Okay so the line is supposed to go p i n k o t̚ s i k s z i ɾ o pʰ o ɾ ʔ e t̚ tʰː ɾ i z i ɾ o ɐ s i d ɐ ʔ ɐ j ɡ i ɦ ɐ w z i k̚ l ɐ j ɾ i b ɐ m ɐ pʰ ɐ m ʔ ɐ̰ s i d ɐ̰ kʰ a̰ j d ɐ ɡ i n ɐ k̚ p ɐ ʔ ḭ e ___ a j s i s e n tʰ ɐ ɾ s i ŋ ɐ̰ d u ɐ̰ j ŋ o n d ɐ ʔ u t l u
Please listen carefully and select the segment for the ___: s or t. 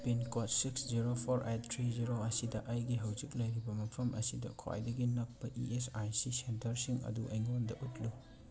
s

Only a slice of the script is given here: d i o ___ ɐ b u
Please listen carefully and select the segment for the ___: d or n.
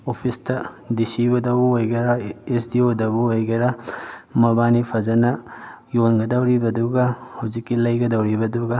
d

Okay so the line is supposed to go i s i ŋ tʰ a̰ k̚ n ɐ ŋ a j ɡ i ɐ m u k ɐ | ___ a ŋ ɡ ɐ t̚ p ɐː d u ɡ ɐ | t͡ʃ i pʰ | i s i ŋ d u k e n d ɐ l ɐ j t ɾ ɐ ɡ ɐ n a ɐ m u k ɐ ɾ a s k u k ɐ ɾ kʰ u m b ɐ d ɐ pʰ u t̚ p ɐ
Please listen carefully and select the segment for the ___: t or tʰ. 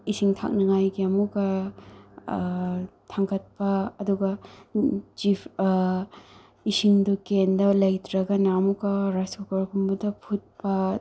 tʰ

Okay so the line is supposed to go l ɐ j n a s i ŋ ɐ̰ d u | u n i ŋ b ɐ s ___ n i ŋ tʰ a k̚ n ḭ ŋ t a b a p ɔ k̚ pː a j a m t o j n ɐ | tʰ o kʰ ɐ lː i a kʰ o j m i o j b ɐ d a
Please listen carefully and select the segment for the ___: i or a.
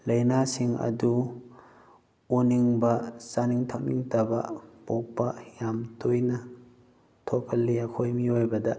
a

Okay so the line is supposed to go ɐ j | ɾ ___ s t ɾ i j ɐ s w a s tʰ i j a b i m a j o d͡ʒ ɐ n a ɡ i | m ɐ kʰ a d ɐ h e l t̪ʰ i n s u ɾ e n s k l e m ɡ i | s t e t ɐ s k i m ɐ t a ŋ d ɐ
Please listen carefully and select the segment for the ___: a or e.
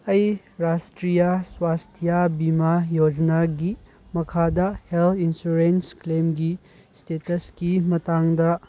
a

